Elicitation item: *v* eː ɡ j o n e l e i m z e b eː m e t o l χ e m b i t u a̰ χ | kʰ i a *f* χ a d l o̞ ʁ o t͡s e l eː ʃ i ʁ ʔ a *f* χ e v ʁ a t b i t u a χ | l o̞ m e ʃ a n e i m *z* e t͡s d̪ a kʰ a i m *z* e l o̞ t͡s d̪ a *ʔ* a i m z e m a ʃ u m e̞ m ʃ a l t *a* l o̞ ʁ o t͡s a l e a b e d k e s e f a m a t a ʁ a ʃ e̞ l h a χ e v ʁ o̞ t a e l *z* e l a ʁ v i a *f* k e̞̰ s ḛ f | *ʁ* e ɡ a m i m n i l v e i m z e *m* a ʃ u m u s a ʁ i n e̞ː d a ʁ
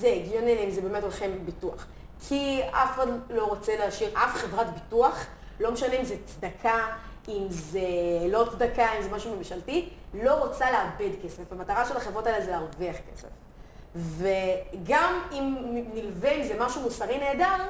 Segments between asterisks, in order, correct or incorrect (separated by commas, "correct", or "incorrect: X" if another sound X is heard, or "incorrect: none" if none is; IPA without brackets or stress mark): incorrect: z, correct, correct, correct, correct, incorrect: k, incorrect: i, correct, incorrect: χ, incorrect: v, correct